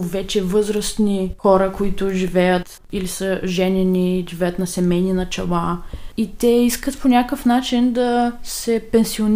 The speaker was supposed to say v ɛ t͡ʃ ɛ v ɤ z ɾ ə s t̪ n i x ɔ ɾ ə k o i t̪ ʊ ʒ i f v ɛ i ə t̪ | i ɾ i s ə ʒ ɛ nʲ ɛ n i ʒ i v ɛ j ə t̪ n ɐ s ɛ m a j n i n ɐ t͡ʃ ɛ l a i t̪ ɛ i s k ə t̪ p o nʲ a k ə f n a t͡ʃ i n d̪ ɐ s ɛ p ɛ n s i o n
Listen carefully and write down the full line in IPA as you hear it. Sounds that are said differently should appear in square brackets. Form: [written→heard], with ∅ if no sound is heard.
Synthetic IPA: v ɛ t͡ʃ ɛ v ɤ z ɾ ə s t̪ n i x ɔ ɾ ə k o i t̪ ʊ ʒ i [f→∅] v ɛ [i→j] ə t̪ | i [ɾ→l] i s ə ʒ ɛ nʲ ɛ n i ʒ i v ɛ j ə t̪ n ɐ s ɛ m [a→ɛ] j n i n ɐ t͡ʃ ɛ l a i t̪ ɛ i s k ə t̪ p o nʲ a k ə f n a t͡ʃ i n d̪ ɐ s ɛ p ɛ n s i o n